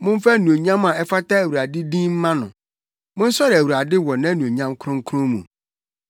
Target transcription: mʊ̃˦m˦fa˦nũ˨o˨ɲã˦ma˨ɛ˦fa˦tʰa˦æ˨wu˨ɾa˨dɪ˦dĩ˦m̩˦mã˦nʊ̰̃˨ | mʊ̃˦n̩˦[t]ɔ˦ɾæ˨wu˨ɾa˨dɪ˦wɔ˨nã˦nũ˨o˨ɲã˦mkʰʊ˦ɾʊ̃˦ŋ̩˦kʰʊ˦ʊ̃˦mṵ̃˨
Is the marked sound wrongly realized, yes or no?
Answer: yes